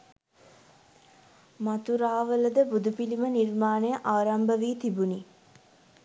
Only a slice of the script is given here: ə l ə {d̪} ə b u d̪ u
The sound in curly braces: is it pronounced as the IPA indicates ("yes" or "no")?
yes